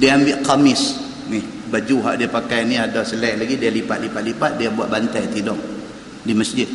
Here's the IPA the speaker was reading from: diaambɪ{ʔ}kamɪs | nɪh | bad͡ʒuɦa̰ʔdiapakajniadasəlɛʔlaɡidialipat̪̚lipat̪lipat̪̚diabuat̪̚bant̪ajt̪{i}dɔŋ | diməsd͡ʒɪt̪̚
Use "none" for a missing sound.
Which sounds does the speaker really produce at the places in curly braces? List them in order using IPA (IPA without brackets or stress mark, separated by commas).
ʔ, i